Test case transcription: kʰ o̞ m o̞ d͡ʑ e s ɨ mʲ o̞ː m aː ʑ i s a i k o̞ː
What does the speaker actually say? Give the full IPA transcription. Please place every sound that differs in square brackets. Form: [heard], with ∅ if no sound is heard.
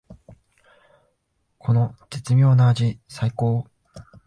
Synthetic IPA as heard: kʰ o̞ [n] o̞ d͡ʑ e [t͡s] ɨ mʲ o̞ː [n] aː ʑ i s a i k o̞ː